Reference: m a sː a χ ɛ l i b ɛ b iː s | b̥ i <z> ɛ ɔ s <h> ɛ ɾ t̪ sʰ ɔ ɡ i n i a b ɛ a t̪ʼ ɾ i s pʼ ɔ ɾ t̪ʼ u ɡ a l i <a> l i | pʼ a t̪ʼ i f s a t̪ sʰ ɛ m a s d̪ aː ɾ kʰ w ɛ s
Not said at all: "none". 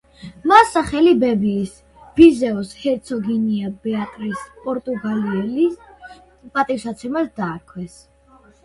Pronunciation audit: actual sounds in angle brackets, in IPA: z, h, ɛ

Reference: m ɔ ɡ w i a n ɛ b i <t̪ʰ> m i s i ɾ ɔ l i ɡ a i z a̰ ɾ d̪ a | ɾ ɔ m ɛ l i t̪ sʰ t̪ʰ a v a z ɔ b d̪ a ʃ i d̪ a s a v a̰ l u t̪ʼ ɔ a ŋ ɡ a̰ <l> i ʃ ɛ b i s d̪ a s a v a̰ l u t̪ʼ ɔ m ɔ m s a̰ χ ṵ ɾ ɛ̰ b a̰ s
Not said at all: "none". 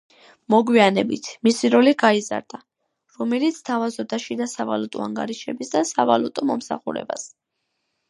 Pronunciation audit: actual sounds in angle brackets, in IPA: t̪ʰ, ɾ

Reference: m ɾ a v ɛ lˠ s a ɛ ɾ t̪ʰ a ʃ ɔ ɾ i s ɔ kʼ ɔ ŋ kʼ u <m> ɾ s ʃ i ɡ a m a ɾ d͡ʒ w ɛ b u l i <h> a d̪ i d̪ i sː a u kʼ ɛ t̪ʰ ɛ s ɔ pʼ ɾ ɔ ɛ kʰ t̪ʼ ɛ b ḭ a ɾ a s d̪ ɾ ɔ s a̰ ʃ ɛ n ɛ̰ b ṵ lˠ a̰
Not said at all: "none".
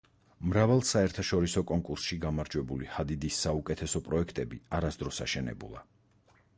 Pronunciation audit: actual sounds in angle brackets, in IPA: none, h

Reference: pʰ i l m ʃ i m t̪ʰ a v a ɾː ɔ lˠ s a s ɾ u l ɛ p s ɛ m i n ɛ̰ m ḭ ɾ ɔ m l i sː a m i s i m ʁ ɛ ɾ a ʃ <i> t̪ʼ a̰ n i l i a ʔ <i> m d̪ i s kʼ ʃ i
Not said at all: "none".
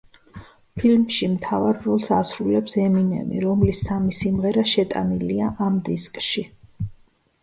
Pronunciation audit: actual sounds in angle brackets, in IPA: ɛ, a

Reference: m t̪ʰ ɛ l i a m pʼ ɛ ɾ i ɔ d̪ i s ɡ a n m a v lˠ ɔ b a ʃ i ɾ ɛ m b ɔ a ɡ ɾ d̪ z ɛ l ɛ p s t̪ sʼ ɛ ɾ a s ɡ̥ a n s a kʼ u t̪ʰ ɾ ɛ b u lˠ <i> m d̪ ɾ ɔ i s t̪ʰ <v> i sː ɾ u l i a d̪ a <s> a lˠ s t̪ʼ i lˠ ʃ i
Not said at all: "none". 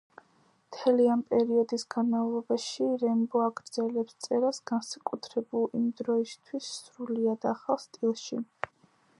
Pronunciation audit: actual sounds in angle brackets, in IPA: i, w, χ

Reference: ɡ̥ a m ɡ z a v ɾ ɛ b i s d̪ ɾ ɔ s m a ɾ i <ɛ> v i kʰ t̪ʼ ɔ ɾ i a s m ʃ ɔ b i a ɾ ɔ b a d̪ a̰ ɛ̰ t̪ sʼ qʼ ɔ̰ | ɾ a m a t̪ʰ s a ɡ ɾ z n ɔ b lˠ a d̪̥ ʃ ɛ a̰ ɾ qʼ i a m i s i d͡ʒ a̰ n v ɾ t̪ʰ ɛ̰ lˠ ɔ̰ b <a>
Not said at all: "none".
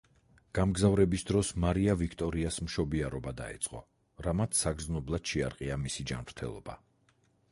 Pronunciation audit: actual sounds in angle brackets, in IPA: a, a

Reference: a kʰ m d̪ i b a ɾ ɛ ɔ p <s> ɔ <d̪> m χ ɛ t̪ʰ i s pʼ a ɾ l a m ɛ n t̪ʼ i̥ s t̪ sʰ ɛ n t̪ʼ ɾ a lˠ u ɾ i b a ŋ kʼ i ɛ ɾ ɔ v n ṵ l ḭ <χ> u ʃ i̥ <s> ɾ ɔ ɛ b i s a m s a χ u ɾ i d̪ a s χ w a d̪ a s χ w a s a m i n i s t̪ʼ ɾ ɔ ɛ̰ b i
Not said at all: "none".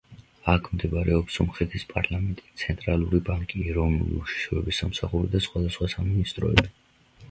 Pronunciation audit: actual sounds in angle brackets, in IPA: s, none, none, ʃ

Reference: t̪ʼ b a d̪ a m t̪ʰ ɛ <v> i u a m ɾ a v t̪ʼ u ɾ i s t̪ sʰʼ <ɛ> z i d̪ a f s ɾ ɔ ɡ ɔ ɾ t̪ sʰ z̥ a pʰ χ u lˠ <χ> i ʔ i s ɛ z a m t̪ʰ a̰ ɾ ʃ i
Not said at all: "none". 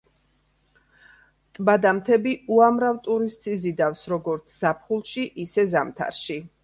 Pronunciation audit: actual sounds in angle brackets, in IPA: b, i, ʃ

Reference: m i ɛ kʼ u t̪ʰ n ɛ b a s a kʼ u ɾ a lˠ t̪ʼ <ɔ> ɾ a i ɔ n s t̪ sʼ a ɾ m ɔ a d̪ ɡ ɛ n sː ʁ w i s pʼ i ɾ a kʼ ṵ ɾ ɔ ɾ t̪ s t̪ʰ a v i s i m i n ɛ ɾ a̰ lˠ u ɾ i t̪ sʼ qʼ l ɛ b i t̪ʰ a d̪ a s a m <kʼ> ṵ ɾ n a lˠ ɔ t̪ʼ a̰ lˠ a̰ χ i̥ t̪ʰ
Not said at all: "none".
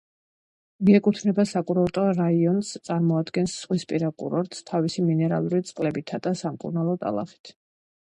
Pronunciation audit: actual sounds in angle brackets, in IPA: ɔ, kʼ

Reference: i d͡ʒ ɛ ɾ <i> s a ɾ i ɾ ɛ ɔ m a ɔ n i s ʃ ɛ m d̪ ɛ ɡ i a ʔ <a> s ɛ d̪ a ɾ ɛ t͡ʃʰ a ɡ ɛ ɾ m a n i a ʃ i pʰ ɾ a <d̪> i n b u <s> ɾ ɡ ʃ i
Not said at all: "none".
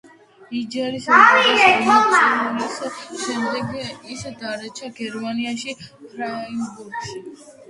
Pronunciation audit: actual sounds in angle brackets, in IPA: i, i, none, none

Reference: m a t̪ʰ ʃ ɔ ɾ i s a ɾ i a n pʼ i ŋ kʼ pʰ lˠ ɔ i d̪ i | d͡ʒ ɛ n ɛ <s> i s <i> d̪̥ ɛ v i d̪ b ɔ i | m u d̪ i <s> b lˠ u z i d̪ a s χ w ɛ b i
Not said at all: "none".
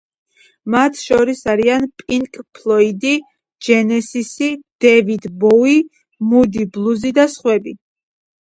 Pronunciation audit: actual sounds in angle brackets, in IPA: s, i, none

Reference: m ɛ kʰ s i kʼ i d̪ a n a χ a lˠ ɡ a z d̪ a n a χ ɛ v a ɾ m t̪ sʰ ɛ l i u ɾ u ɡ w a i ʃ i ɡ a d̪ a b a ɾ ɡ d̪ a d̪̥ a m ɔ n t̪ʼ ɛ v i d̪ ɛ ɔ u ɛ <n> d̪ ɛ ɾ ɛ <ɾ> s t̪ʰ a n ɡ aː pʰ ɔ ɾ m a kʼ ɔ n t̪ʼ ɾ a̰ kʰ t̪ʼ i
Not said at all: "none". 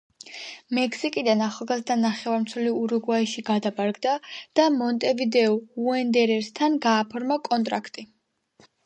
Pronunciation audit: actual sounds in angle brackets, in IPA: n, ɾ

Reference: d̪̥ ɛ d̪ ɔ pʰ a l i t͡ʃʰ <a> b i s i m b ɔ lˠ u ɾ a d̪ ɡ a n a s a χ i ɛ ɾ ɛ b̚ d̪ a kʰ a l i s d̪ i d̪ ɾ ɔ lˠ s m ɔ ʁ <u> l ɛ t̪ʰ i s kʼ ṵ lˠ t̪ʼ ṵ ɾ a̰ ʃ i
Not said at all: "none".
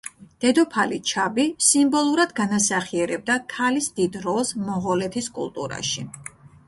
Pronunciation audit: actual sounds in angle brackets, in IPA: a, ɔ

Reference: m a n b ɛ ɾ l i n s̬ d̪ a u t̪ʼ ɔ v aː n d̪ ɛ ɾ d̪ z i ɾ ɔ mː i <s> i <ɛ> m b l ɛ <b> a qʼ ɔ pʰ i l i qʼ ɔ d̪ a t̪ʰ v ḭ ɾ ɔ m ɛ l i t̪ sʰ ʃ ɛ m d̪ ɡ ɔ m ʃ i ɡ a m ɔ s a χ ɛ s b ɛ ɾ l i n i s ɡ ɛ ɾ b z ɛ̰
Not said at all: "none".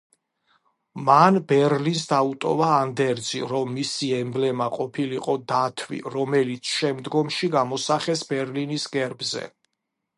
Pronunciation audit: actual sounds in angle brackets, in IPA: s, ɛ, m

